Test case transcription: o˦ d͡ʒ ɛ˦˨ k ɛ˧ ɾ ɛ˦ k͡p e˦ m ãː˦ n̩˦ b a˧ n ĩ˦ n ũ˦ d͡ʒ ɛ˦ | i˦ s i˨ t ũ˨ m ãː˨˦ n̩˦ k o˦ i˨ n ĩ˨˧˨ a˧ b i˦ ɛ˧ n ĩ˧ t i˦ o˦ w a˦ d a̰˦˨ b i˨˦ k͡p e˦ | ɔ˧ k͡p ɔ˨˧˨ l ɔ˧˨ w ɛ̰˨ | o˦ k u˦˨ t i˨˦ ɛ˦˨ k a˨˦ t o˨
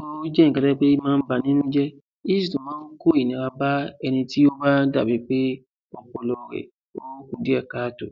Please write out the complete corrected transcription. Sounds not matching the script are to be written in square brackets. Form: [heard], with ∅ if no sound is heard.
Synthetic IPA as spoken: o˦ d͡ʒ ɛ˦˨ k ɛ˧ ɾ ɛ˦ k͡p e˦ m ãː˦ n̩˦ b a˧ n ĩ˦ n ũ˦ d͡ʒ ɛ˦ | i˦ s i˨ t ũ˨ m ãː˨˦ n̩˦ k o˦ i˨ n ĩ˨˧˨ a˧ b [a˦] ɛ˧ n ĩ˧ t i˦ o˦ [b] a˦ d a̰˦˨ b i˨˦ k͡p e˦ | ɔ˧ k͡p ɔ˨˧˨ l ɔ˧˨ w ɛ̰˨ | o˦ k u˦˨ [d] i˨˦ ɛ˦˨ k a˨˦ t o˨